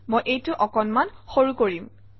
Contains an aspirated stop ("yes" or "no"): no